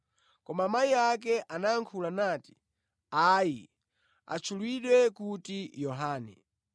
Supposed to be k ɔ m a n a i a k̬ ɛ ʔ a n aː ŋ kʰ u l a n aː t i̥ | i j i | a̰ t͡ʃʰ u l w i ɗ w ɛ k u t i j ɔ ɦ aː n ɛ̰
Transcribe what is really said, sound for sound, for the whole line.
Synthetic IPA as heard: k ɔ m a m a i a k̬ ɛ ʔ a n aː ŋ kʰ u l a n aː t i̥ | a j i | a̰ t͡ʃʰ u l w i ɗ w ɛ k u t i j ɔ ɦ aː n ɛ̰